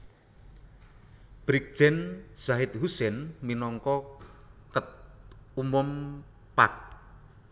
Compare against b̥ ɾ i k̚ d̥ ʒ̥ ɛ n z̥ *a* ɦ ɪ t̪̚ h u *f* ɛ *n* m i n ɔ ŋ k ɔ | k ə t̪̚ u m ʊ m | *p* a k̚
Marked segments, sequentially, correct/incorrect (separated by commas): correct, incorrect, correct, correct